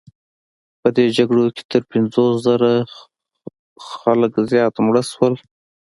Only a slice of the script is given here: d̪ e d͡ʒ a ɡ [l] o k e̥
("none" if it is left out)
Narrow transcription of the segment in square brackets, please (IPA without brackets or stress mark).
ɽ